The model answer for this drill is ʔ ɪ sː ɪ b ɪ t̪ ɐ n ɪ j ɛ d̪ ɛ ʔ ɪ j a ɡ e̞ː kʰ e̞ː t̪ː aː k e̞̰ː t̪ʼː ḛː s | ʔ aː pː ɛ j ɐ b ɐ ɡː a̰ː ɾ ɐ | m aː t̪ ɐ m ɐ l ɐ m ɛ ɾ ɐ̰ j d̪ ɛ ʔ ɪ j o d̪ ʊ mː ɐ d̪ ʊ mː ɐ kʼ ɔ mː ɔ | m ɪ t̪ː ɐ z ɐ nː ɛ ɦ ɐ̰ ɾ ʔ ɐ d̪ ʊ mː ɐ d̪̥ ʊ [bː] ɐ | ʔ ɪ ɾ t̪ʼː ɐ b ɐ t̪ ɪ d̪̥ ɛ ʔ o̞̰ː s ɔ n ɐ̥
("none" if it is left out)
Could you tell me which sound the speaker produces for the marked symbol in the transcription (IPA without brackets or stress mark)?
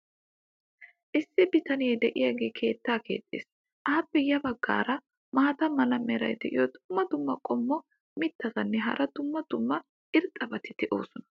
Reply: mː